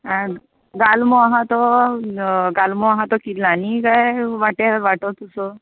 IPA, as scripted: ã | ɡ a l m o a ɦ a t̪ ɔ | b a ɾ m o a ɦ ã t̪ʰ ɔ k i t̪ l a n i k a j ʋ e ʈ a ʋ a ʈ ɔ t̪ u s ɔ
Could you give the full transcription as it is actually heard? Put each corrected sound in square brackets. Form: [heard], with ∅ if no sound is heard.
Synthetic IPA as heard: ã | ɡ a l m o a ɦ a t̪ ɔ | [ɡ] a [l] m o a ɦ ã [t̪] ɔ k i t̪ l a n i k a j ʋ [a] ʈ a ʋ a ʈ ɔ t̪ u s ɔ